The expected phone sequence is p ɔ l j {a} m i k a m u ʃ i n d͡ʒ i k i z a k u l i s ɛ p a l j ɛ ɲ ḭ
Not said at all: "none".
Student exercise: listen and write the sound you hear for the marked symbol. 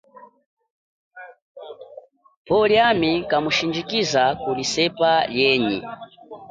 a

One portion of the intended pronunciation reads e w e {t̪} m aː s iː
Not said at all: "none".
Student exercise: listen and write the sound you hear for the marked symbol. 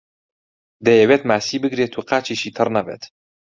t̪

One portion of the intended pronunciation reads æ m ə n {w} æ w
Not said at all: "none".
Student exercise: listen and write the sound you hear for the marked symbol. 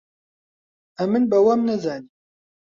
b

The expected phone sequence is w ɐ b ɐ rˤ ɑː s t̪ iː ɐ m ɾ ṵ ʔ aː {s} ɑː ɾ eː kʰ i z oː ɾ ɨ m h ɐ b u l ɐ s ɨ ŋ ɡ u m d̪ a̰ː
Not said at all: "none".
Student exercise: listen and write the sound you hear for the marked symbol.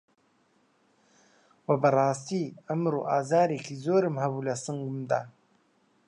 z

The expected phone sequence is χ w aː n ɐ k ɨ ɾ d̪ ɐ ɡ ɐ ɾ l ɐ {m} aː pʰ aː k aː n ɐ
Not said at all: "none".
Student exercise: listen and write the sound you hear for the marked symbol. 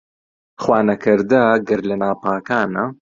n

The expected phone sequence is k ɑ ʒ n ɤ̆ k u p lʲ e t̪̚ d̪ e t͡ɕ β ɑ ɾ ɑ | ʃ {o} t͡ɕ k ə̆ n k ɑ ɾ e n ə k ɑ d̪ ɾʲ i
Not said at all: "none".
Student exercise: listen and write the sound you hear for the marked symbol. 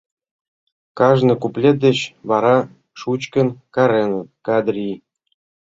u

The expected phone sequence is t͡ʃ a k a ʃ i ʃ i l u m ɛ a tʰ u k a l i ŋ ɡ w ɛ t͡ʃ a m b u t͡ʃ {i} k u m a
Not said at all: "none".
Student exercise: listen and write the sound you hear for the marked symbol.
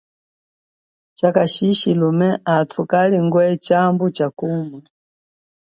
a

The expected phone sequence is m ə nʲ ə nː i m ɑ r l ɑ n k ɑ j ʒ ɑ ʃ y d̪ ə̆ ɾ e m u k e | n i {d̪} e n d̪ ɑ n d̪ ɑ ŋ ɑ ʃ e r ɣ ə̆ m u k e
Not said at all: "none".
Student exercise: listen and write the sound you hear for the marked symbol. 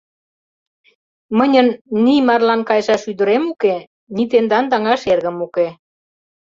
t̪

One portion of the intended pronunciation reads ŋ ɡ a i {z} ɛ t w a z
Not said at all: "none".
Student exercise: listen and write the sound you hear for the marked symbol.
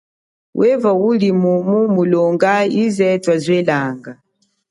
z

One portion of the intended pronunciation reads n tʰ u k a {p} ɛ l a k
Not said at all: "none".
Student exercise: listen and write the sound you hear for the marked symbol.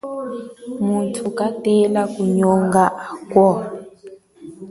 t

